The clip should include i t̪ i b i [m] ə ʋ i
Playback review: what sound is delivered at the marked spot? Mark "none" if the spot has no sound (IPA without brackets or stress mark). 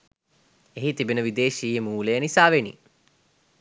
n